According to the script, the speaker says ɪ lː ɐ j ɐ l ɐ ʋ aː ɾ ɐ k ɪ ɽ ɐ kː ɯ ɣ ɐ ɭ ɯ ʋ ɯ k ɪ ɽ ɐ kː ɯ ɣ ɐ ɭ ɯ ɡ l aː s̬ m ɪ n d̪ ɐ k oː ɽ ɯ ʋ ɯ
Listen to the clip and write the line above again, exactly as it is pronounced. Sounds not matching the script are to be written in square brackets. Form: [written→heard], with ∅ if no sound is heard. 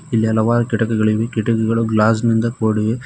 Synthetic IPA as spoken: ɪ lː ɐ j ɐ l ɐ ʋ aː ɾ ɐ k ɪ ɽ ɐ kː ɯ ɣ ɐ ɭ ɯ ʋ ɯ k ɪ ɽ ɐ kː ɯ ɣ ɐ ɭ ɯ ɡ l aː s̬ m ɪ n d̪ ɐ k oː ɽ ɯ ʋ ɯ

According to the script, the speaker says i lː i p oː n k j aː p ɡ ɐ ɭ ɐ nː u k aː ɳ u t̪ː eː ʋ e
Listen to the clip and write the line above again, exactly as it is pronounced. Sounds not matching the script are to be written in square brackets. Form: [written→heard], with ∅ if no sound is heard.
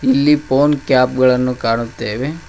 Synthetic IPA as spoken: i lː i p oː n k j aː p ɡ ɐ ɭ ɐ nː u k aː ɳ u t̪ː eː ʋ e

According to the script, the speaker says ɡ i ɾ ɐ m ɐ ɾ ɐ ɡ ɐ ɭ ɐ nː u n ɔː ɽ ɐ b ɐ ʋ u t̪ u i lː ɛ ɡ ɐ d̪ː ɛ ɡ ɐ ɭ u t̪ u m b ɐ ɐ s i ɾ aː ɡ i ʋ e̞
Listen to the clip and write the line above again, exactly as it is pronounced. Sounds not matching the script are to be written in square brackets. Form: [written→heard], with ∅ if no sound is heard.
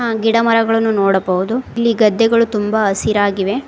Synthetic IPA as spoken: ɡ i [ɾ→ɽ] ɐ m ɐ ɾ ɐ ɡ ɐ ɭ ɐ nː u n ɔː ɽ ɐ b ɐ ʋ u [t̪→d̪] u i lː [ɛ→i] ɡ ɐ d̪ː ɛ ɡ ɐ ɭ u t̪ u m b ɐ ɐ s i ɾ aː ɡ i ʋ e̞

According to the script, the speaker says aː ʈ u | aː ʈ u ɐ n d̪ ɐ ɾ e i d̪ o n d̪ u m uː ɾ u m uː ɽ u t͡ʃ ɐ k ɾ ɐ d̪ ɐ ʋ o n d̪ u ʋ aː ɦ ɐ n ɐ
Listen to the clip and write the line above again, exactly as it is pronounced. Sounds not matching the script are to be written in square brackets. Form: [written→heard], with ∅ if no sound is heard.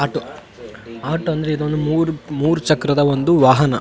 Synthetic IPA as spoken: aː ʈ u | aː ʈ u ɐ n d̪ ɐ ɾ e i d̪ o n d̪ u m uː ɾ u m uː [ɽ→ɾ] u t͡ʃ ɐ k ɾ ɐ d̪ ɐ ʋ o n d̪ u ʋ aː ɦ ɐ n ɐ

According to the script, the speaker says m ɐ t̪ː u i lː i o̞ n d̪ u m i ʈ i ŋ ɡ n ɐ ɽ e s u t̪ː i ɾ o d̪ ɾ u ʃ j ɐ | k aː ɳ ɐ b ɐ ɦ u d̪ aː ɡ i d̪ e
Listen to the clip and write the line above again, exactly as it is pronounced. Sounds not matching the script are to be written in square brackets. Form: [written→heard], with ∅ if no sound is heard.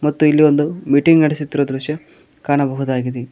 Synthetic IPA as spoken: m ɐ t̪ː u i lː i o̞ n d̪ u m i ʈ i ŋ ɡ n ɐ ɽ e s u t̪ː i ɾ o d̪ ɾ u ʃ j ɐ | k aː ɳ ɐ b ɐ ɦ u d̪ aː ɡ i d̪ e

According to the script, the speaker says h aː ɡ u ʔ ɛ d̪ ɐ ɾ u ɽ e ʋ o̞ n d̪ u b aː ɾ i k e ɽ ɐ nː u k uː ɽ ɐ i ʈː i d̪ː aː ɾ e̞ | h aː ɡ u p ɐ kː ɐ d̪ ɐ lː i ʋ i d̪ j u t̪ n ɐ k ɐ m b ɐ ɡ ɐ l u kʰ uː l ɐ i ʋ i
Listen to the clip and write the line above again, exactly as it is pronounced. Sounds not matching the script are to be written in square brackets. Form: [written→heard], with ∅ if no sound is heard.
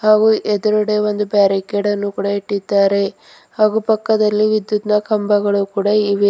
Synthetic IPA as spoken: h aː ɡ u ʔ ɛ d̪ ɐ ɾ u ɽ e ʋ o̞ n d̪ u b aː ɾ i k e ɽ ɐ nː u k uː ɽ ɐ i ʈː i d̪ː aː ɾ e̞ | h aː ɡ u p ɐ kː ɐ d̪ ɐ lː i ʋ i d̪ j u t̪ n ɐ k ɐ m b ɐ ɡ ɐ [l→ɭ] u [kʰ→k] uː [l→ɽ] ɐ i ʋ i

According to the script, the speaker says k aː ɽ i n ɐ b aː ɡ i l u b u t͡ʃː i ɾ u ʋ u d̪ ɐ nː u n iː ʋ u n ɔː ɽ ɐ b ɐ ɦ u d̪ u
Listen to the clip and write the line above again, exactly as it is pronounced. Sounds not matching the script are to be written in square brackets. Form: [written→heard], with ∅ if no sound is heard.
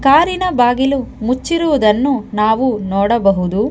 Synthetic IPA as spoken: k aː [ɽ→ɾ] i n ɐ b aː ɡ i l u [b→m] u t͡ʃː i ɾ u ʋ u d̪ ɐ nː u n [iː→aː] ʋ u n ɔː ɽ ɐ b ɐ ɦ u d̪ u

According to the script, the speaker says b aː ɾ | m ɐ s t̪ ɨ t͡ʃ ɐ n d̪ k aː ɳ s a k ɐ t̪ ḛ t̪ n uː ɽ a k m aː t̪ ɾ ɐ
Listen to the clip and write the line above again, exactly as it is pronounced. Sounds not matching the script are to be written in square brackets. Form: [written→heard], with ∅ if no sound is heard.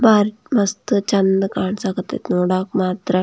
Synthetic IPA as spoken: b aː ɾ | m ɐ s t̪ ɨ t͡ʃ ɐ n d̪ k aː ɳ s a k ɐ t̪ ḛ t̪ n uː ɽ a k m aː t̪ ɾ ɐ

